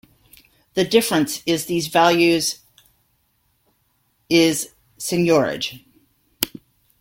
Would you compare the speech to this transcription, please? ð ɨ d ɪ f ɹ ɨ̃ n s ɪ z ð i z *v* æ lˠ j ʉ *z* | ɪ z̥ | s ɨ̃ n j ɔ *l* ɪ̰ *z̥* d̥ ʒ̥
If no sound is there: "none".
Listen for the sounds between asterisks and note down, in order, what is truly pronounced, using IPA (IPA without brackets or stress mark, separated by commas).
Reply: v, z, ɹ, none